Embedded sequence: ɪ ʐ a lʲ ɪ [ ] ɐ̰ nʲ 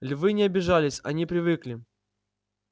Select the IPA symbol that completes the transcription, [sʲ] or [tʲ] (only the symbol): sʲ